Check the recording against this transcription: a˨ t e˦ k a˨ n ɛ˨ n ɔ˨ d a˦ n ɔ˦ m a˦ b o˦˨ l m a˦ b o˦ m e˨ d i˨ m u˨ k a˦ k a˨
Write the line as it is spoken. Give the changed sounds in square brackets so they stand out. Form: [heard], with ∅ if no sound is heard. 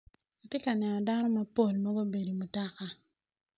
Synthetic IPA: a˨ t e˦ k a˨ n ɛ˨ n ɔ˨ d a˦ n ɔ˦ m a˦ [p] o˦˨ l m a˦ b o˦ [b] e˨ d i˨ m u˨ [t] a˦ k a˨